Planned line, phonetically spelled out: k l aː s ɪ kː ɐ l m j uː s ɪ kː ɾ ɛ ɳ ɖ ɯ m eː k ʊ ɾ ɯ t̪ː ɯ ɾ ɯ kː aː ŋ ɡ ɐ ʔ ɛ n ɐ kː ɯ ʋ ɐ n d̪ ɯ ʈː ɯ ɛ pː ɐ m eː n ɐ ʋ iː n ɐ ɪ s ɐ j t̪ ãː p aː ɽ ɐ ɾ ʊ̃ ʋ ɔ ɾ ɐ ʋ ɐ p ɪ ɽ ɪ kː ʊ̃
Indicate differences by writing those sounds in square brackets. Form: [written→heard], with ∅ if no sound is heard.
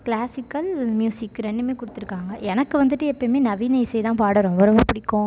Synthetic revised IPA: k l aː s ɪ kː ɐ l m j uː s ɪ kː ɾ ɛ ɳ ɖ ɯ m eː k ʊ [ɾ→ɽ] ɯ t̪ː ɯ ɾ ɯ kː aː ŋ ɡ ɐ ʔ ɛ n ɐ kː ɯ ʋ ɐ n d̪ ɯ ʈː ɯ ɛ pː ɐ m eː n ɐ ʋ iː n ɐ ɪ s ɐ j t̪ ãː p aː ɽ ɐ ɾ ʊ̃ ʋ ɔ ɾ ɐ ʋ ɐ p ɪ ɽ ɪ kː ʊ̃